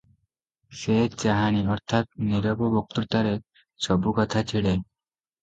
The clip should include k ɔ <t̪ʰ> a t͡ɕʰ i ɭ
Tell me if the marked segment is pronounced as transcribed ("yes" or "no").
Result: yes